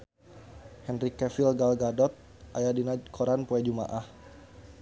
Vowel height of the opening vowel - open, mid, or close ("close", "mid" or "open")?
mid